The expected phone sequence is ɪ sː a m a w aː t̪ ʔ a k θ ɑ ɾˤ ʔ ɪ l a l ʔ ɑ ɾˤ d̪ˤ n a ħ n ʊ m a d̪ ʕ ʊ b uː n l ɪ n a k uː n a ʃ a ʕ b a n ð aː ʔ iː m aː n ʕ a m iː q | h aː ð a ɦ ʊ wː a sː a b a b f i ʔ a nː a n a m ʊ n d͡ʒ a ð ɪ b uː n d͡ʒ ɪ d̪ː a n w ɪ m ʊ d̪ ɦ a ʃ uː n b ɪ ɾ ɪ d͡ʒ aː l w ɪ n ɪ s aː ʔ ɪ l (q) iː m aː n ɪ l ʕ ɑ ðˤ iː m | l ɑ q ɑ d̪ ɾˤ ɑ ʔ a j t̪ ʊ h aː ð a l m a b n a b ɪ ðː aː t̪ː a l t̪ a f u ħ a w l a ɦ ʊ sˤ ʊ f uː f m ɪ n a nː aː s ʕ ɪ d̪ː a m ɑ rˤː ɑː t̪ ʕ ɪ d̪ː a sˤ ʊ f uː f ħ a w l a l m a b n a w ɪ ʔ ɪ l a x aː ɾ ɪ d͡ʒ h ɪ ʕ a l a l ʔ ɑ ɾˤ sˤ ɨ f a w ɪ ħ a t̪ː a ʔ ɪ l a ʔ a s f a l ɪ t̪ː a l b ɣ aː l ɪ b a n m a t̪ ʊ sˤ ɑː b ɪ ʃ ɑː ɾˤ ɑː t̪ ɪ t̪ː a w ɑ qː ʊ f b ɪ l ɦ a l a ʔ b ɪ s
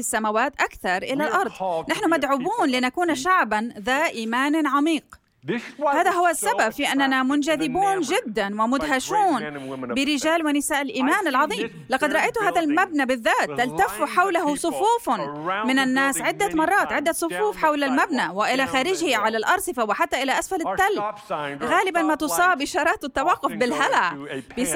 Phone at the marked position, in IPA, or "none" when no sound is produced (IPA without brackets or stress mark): ʔ